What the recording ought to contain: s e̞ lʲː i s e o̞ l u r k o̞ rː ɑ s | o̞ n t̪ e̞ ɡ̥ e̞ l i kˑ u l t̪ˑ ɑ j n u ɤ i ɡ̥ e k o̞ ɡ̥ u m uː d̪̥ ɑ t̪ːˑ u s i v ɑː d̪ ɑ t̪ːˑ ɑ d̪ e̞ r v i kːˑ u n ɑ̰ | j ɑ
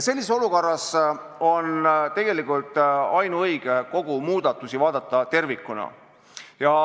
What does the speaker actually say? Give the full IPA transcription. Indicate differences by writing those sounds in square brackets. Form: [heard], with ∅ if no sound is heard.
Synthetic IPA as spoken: s e̞ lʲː i s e o̞ l u [∅] k o̞ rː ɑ s | o̞ n t̪ e̞ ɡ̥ e̞ l i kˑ u l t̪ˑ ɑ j n u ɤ [j] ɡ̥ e k o̞ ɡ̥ u m uː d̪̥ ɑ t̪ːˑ u s i v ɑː d̪ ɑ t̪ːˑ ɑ [t̪] e̞ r v i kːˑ u n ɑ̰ | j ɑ